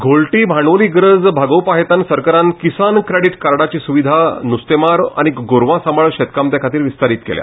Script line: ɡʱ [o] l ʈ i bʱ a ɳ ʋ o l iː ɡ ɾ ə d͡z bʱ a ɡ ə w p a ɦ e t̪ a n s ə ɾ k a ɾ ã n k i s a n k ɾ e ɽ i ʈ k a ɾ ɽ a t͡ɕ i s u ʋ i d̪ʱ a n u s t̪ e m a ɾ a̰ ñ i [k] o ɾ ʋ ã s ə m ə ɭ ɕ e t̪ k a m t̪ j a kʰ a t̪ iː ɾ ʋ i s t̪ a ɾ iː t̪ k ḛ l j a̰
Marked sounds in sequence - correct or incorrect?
correct, incorrect: ɡ

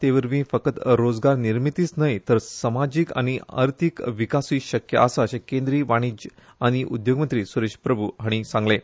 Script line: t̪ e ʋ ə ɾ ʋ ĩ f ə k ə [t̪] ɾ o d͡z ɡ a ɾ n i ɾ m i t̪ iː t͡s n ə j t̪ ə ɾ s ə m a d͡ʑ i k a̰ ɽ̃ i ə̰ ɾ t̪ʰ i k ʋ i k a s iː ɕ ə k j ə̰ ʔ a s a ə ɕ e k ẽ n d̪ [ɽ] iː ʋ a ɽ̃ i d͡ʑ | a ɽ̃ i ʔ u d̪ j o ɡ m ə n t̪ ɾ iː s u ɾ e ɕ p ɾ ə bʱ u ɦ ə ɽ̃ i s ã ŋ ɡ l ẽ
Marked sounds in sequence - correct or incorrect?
correct, incorrect: ɾ

